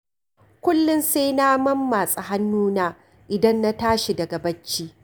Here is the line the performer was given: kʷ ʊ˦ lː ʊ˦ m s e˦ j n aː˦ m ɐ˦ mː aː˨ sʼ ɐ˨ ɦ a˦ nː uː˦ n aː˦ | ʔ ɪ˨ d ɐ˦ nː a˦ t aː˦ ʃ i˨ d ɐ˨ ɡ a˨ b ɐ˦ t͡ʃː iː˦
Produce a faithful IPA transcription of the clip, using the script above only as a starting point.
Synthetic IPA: kʷ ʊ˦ lː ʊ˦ n s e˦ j n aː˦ m ɐ˦ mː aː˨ sʼ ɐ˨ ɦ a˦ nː uː˦ n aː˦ | ʔ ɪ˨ d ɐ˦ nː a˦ t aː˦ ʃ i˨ d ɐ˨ ɡ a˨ b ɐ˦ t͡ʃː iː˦